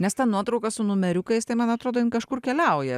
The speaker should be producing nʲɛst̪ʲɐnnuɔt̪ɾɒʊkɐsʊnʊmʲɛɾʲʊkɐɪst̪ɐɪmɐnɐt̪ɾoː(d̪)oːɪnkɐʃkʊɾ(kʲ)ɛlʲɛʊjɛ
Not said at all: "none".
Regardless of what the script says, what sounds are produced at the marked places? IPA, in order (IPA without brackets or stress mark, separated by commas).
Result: d̪, kʲ